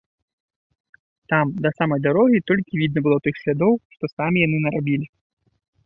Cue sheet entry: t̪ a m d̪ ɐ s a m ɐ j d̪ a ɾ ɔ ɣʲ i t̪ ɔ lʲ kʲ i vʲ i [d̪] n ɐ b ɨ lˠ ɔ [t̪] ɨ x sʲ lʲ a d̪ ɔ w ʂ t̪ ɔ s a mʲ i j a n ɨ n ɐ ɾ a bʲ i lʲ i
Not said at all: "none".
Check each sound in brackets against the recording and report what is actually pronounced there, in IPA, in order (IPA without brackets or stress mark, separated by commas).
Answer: d̪, t̪